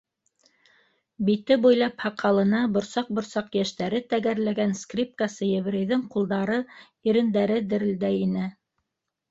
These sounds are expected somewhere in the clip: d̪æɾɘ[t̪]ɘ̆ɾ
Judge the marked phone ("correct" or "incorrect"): incorrect